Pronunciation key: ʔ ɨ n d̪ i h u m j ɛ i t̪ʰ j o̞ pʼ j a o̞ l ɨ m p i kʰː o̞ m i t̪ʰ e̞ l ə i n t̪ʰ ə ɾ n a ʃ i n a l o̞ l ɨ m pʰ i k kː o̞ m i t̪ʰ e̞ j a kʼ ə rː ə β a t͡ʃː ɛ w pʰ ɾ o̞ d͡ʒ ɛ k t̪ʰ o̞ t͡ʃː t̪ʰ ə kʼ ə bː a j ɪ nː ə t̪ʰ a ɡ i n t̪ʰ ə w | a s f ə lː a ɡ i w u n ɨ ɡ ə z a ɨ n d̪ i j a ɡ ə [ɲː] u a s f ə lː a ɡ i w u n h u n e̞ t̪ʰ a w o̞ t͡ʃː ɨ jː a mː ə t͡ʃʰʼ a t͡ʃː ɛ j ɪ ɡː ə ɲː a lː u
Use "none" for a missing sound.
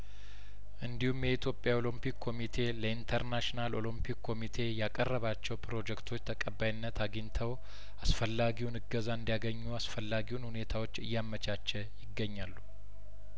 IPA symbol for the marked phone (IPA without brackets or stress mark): ɲː